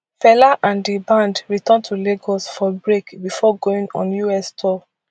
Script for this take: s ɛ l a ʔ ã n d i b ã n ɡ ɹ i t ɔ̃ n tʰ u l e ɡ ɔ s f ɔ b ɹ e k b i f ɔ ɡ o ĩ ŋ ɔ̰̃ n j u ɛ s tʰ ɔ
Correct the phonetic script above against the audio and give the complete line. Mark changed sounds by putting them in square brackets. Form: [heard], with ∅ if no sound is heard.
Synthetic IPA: [f] ɛ l a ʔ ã n d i b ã n [d] ɹ i t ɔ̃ n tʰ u l e ɡ ɔ s f ɔ b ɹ e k b i f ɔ ɡ o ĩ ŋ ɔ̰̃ n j u ɛ s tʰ ɔ